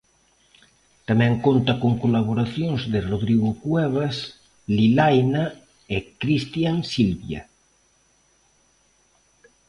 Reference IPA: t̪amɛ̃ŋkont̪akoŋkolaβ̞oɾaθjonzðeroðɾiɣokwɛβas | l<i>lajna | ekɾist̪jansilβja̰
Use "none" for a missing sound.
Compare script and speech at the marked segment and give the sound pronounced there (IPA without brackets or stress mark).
i